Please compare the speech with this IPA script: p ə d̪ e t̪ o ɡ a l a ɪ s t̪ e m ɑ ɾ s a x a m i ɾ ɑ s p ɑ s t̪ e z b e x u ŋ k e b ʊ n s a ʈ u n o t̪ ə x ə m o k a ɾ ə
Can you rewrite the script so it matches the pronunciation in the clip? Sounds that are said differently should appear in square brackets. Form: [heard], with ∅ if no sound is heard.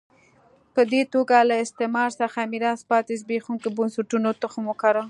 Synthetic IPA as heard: p ə d̪ e t̪ o ɡ a l a ɪ s t̪ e m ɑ ɾ s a x a m i ɾ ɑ s p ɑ [∅] t̪ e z b e x u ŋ k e b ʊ n s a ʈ u n o t̪ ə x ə m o k a ɾ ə